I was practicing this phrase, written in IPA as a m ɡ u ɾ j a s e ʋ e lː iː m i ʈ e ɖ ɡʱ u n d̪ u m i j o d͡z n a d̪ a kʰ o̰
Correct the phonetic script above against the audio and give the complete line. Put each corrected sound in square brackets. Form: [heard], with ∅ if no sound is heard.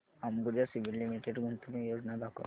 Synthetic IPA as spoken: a m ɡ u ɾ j a s [i] ʋ [i] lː [i] m i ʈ e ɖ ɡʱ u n [t̪] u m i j o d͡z n a d̪ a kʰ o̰

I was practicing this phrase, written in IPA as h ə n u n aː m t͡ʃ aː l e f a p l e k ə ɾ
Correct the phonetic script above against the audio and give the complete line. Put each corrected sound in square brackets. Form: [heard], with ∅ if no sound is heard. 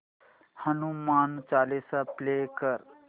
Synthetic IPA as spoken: h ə n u [m] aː [n] t͡ʃ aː l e [s] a p l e k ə ɾ

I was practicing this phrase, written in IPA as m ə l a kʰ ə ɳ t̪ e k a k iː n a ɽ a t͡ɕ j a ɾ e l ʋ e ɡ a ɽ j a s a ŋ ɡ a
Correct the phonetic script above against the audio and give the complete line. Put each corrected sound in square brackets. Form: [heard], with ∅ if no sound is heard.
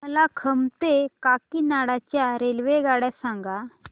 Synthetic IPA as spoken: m ə l a kʰ ə [m] t̪ e k a k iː n a ɽ a t͡ɕ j a ɾ e l ʋ e ɡ a ɽ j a s a ŋ ɡ a

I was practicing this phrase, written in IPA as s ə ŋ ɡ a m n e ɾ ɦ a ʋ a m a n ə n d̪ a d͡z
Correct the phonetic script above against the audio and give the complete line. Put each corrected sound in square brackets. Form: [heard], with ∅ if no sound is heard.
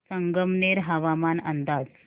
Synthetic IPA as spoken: s ə ŋ ɡ [ə] m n e ɾ ɦ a ʋ a m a n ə n d̪ a d͡z

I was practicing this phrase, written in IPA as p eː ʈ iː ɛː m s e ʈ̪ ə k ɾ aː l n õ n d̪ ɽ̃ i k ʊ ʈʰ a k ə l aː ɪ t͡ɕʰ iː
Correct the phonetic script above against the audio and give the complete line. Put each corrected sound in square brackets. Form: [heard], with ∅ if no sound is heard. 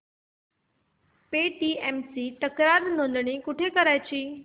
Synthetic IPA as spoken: p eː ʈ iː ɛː m s [i] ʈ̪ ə k ɾ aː [ɾ] n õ n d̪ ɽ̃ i k ʊ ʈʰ [e] k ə [ɾ] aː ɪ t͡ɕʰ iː

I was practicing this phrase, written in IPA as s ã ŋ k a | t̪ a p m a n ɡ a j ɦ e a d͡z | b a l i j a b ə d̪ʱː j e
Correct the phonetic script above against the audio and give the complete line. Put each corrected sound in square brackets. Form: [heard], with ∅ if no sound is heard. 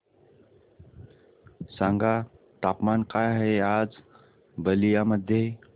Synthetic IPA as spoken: s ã ŋ [ɡ] a | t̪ a p m a n [k] a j ɦ e a d͡z | b [ə] l i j a [m] ə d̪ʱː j e

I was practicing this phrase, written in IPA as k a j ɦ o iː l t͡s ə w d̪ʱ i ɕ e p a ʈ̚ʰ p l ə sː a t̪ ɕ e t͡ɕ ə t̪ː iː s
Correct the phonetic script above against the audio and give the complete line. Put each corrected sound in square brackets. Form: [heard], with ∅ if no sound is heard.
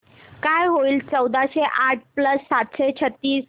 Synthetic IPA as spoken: k a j ɦ o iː l t͡s ə w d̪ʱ [a] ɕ e [ʔ] a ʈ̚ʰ p l ə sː a t̪ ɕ e [t͡ɕʰ] ə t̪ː iː s

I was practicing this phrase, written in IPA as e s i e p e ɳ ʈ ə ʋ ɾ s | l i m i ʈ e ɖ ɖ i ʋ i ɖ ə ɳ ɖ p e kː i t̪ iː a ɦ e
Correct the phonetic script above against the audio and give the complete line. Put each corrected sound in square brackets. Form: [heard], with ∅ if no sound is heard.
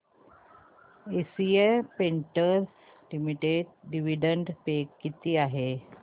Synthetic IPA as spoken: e s i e p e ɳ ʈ ə [∅] ɾ s | l i m i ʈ e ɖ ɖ i ʋ i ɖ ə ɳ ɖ p e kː i t̪ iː a ɦ e

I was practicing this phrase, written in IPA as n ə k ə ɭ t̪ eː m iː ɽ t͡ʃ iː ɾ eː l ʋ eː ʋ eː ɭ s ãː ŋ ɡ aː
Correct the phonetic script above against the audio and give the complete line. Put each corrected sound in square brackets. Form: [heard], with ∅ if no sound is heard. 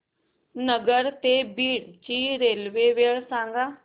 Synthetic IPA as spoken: n ə [ɡ] ə [ɾ] t̪ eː [b] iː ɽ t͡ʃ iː ɾ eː l ʋ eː ʋ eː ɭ s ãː ŋ ɡ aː

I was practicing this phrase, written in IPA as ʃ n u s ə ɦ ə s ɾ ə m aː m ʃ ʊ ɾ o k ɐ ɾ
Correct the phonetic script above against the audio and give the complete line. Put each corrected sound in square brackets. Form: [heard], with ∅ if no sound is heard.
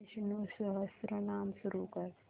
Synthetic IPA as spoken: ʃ n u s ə ɦ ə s ɾ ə [n] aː m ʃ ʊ ɾ [u] k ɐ ɾ

